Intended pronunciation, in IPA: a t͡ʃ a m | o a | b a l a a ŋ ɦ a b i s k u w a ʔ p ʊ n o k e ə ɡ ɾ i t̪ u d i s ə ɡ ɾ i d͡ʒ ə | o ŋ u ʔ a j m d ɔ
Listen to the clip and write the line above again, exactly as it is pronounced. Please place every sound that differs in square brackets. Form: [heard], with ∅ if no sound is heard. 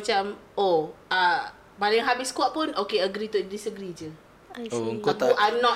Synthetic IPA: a t͡ʃ a m | o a | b a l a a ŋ ɦ a b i s k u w a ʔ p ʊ n o k e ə ɡ ɾ i t̪ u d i s ə ɡ ɾ i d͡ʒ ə | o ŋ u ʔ a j m [n] ɔ